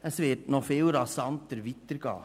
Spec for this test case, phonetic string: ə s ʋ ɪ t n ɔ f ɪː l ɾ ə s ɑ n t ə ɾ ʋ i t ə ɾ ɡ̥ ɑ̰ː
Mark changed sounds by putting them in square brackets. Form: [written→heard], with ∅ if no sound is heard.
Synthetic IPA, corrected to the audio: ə s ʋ ɪ t n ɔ f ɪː l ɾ [ə→ɑ] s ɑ n t ə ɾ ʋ i t ə ɾ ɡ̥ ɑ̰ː